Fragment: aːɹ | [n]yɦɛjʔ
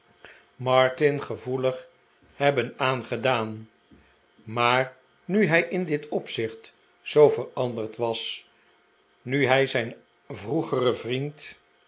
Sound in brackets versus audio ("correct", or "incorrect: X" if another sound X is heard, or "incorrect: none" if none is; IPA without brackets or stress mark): correct